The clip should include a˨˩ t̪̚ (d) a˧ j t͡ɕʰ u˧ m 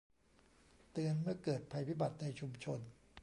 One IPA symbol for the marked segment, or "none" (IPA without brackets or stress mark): n